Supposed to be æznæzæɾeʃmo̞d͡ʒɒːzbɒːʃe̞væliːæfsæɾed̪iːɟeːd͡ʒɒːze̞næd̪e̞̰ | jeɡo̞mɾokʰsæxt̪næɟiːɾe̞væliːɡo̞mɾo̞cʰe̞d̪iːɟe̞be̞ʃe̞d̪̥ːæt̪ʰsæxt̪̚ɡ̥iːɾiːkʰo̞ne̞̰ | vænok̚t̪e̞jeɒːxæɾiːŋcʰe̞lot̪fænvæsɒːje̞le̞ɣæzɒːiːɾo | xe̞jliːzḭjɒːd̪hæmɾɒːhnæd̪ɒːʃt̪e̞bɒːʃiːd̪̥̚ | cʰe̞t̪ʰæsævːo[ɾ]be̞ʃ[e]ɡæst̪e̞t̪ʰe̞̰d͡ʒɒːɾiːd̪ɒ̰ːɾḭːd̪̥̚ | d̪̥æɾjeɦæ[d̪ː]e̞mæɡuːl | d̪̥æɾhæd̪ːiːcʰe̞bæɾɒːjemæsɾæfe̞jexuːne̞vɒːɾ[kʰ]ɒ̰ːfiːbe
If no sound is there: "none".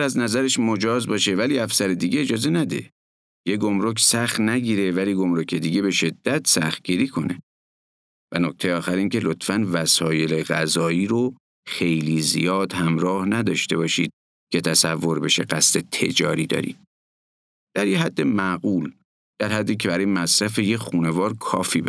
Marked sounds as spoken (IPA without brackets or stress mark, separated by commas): ɾ, e, d̪ː, kʰ